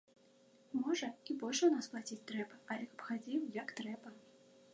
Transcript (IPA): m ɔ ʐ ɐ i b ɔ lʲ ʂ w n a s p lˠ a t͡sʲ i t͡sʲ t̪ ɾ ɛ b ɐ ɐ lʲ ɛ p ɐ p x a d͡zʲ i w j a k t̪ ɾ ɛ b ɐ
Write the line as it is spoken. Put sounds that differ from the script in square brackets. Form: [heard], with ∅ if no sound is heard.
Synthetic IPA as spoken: m ɔ ʐ ɐ i b ɔ lʲ ʂ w n a s p lˠ a t͡sʲ i t͡sʲ t̪ ɾ ɛ b ɐ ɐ lʲ ɛ [k] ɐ p x a d͡zʲ i w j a k t̪ ɾ ɛ b ɐ

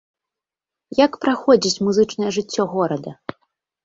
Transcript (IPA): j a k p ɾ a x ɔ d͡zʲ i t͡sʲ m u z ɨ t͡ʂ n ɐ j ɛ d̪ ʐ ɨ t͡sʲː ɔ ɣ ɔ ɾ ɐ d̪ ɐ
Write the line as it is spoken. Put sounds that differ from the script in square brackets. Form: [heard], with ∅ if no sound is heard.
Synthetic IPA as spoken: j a k p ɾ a x ɔ d͡zʲ i t͡sʲ m u z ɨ t͡ʂ n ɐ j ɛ [∅] ʐ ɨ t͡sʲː ɔ ɣ ɔ ɾ ɐ d̪ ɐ

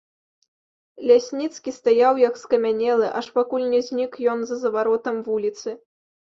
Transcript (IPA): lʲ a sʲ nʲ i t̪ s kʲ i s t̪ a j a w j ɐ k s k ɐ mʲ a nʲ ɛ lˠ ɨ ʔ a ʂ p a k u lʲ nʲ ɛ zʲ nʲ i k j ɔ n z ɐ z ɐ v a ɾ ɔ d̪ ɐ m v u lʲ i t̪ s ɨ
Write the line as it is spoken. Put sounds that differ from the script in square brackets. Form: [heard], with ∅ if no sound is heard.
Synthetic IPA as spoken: lʲ a sʲ nʲ i t̪ s kʲ i s t̪ a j a w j ɐ k s k ɐ mʲ a nʲ ɛ lˠ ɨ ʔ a ʂ p a k u lʲ nʲ ɛ zʲ nʲ i k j ɔ n z ɐ z ɐ v a ɾ ɔ [t̪] ɐ m v u lʲ i t̪ s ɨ

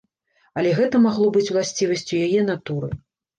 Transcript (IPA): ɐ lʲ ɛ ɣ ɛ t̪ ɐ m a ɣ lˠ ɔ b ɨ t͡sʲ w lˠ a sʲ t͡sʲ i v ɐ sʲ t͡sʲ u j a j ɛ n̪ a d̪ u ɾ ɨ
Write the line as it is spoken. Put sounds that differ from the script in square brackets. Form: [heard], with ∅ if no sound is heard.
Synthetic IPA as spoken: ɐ lʲ ɛ ɣ ɛ t̪ ɐ m a ɣ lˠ ɔ b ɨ t͡sʲ w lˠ a sʲ t͡sʲ i v ɐ sʲ t͡sʲ u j a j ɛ n̪ a [t̪] u ɾ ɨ

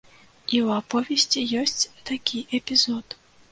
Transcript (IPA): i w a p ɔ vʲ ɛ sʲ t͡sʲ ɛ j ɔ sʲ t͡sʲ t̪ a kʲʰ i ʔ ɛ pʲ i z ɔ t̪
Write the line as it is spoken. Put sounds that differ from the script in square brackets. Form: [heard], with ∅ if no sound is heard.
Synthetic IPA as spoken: i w a p ɔ vʲ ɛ sʲ t͡sʲ [i] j ɔ sʲ t͡sʲ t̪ a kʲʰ i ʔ ɛ pʲ i z ɔ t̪

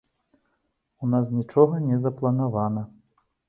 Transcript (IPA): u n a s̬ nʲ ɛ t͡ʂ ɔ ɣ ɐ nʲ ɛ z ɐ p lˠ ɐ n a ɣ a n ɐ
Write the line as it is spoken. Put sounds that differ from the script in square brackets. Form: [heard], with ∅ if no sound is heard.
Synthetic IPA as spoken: u n a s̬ nʲ [i] t͡ʂ ɔ ɣ ɐ nʲ ɛ z ɐ p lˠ ɐ n a [v] a n ɐ

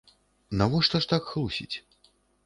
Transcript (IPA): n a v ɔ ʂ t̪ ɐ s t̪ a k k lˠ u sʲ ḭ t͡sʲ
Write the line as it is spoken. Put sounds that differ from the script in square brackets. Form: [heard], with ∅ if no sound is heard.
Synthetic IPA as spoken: n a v ɔ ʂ t̪ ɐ [ʂ] t̪ a k [x] lˠ u sʲ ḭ t͡sʲ

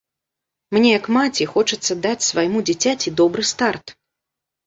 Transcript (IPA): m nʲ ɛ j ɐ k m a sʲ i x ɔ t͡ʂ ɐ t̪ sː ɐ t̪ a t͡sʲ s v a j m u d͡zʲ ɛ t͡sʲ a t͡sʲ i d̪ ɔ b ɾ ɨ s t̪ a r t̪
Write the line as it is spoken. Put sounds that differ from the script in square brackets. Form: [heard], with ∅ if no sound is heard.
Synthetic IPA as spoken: m nʲ ɛ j ɐ k m a [t͡sʲ] i x ɔ t͡ʂ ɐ t̪ sː ɐ [d̪] a t͡sʲ s v a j m u d͡zʲ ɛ t͡sʲ a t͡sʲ i d̪ ɔ b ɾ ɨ s t̪ a r t̪

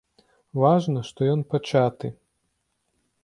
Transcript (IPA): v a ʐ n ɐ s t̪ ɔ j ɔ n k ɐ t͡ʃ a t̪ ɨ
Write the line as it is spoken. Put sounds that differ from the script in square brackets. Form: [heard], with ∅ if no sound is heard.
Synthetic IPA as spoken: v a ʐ n ɐ [ʂ] t̪ ɔ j ɔ n [p] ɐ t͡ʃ a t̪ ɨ

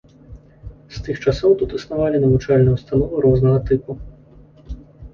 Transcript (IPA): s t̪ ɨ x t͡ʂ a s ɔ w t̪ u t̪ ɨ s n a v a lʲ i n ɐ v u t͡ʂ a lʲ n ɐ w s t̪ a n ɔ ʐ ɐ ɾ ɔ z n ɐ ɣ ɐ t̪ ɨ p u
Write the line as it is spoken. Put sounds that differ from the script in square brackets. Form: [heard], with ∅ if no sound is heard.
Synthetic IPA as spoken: s t̪ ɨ x t͡ʂ a s ɔ w t̪ u t̪ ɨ s n a v a lʲ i n ɐ v u t͡ʂ a lʲ n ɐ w s t̪ a n ɔ [v] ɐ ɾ ɔ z n ɐ ɣ ɐ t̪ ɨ p u

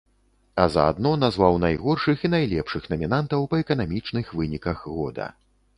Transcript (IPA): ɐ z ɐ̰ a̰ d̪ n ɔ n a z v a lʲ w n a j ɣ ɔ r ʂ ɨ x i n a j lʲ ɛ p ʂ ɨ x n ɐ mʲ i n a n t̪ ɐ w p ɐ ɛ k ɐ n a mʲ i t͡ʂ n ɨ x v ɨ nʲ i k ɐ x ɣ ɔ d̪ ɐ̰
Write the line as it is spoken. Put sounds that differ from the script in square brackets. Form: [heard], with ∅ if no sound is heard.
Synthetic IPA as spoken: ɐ z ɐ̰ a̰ d̪ n ɔ n a z v a [∅] w n a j ɣ ɔ r ʂ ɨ x i n a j lʲ ɛ p ʂ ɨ x n ɐ mʲ i n a n t̪ ɐ w p ɐ ɛ k ɐ n a mʲ i t͡ʂ n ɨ x v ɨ nʲ i k ɐ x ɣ ɔ d̪ ɐ̰

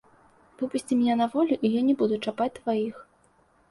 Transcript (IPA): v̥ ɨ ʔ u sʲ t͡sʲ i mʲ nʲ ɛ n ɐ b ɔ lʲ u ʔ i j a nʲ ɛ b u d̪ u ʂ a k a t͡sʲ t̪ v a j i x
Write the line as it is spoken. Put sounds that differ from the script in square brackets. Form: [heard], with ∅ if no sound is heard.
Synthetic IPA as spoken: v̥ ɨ [p] u sʲ t͡sʲ i mʲ nʲ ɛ n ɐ [v] ɔ lʲ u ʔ i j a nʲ ɛ b u d̪ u [t͡ʂ] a [p] a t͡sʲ t̪ v a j i x

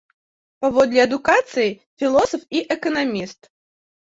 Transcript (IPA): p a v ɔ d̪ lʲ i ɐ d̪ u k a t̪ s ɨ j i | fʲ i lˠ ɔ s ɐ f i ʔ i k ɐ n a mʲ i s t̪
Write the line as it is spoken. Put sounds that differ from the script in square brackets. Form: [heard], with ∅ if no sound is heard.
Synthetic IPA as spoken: p a v ɔ d̪ lʲ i ɐ d̪ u k a t̪ s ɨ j i | fʲ i lˠ ɔ s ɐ f i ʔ [ɛ] k ɐ n a mʲ i s t̪

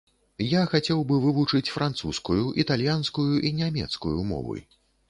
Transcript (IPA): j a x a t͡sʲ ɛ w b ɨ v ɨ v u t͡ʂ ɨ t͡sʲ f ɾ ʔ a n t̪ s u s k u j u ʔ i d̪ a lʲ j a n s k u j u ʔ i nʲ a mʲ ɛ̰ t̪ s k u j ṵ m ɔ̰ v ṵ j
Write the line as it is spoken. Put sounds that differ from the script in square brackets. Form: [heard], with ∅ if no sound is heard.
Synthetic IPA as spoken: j a x a t͡sʲ ɛ w b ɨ v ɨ v u t͡ʂ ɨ t͡sʲ f ɾ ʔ a n t̪ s u s k u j u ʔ i [t̪] a lʲ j a n s k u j u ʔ i nʲ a mʲ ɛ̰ t̪ s k u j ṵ m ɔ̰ v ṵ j

